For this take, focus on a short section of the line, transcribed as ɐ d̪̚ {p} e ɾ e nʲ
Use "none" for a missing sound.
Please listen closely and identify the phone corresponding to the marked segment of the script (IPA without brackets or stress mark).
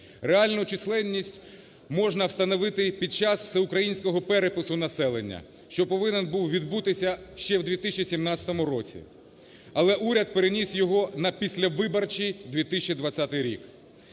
p